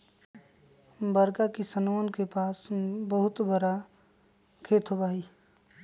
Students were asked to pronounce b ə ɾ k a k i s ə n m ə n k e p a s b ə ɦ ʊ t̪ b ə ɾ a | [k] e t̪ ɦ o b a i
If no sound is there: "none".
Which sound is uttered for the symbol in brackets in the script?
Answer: kʰ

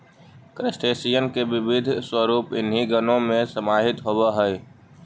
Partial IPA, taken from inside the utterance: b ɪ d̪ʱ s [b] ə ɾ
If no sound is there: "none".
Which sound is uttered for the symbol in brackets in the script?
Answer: w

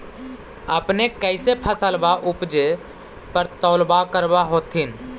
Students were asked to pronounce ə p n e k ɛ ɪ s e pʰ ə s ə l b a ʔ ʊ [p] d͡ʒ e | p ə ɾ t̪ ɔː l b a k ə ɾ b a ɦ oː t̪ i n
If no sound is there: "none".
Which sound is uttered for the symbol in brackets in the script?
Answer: p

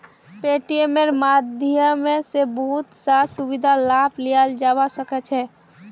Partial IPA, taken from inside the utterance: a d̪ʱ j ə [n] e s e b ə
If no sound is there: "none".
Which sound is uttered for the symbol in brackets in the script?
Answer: m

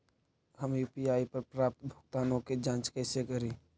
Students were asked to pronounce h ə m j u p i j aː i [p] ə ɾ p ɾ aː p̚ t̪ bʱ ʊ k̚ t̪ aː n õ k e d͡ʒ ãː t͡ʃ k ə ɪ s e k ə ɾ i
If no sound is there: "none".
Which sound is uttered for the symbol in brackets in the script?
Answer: p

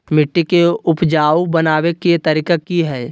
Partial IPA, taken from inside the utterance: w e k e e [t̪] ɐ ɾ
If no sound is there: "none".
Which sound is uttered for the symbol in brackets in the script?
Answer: t̪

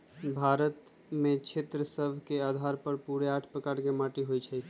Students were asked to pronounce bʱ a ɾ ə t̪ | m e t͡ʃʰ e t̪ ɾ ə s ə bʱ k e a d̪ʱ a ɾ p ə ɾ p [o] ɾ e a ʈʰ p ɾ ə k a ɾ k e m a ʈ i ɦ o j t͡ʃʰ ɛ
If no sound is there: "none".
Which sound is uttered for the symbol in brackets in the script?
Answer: u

